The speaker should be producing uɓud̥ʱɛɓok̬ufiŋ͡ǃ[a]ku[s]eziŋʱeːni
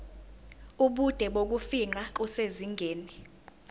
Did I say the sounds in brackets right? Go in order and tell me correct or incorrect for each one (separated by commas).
correct, correct